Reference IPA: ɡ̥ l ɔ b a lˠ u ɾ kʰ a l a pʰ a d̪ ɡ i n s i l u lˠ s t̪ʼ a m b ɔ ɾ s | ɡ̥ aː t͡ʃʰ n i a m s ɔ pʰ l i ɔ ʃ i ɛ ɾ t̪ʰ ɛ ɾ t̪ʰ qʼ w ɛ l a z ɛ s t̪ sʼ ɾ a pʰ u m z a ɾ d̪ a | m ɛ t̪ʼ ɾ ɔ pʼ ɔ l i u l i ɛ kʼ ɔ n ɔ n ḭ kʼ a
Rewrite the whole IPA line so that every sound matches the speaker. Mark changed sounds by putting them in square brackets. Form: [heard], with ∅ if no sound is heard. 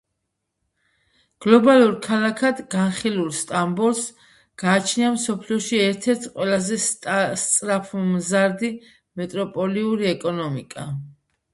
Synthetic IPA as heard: ɡ̥ l ɔ b a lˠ u ɾ kʰ a l a [kʰ] a d̪ ɡ [a] n [χ] i l u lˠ s t̪ʼ a m b ɔ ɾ s | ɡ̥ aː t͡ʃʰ n i a m s ɔ pʰ l i ɔ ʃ i ɛ ɾ t̪ʰ ɛ ɾ t̪ʰ qʼ w ɛ l a z ɛ s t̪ sʼ ɾ a pʰ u m z a ɾ d̪ [i] | m ɛ t̪ʼ ɾ ɔ pʼ ɔ l i u [ɾ] i ɛ kʼ ɔ n ɔ [m] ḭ kʼ a